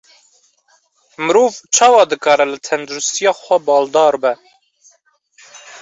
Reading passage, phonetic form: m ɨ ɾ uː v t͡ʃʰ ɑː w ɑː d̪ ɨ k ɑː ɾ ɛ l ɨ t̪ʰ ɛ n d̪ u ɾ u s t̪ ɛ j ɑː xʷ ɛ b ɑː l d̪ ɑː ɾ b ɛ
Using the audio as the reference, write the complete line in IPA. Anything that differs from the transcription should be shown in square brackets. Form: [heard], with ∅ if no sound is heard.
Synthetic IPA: m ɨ ɾ uː v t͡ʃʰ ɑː w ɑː d̪ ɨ k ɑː ɾ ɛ l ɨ t̪ʰ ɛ n d̪ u ɾ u s t̪ [i] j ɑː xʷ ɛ b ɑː l d̪ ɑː ɾ b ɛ